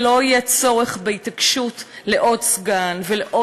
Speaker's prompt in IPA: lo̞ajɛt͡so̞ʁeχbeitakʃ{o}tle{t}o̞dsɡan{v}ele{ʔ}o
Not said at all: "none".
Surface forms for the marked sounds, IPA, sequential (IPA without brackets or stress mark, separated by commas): u, ʔ, v, ʔ